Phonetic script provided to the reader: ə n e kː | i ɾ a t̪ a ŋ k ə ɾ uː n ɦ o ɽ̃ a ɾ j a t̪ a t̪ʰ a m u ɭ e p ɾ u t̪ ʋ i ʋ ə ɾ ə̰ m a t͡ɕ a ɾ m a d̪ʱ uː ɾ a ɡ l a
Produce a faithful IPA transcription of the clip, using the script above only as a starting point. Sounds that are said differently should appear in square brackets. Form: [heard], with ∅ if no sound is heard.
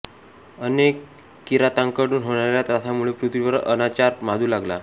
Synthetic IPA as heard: ə n e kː | i ɾ a t̪ a ŋ k ə [ɽ] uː n ɦ o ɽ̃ a ɾ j a t̪ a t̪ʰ a m u ɭ e p ɾ u t̪ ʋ i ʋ ə ɾ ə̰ [n] a t͡ɕ a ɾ m a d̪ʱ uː [l] a ɡ l a